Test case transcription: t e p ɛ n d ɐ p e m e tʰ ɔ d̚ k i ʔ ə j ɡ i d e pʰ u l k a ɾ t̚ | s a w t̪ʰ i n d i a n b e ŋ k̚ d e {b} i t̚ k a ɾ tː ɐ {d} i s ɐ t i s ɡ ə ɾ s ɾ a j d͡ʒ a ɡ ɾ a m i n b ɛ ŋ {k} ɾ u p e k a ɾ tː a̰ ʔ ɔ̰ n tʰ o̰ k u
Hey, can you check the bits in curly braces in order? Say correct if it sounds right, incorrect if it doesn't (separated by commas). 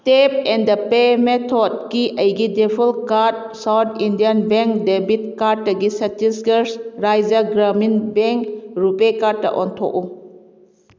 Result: correct, incorrect, correct